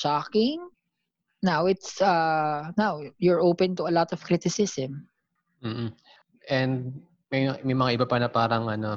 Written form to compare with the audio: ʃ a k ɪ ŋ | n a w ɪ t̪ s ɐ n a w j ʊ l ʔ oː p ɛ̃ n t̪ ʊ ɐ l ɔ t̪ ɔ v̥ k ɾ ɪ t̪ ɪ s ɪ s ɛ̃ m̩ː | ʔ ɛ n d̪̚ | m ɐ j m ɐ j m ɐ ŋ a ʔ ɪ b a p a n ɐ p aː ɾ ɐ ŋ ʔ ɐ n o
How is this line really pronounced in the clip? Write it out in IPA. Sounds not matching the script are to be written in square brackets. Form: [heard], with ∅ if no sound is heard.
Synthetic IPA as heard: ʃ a k ɪ ŋ | n a w ɪ t̪ s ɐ n a w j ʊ [ɹ] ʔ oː p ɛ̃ n t̪ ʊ ɐ l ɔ t̪ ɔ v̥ k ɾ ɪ t̪ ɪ s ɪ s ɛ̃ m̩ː | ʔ ɛ n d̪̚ | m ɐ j m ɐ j m ɐ ŋ a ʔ ɪ b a p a n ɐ p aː ɾ ɐ ŋ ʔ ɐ n o